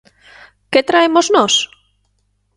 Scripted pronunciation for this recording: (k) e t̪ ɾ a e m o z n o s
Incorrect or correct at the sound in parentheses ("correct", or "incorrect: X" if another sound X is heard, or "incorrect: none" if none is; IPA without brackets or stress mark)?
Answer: correct